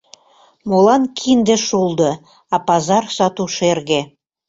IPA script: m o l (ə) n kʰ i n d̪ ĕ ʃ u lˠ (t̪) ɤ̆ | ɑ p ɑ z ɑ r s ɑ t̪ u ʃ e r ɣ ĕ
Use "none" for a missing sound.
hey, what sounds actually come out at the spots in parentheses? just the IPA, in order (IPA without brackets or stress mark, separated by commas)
ɑ, d̪